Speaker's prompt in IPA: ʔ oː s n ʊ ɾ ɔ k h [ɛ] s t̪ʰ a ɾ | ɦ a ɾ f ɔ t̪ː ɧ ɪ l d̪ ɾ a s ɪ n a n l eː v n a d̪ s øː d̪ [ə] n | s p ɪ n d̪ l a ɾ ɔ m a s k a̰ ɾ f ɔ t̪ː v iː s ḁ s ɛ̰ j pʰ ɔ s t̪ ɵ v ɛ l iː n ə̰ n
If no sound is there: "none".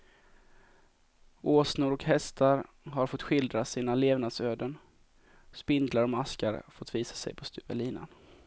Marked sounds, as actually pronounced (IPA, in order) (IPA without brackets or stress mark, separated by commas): ɛ, ə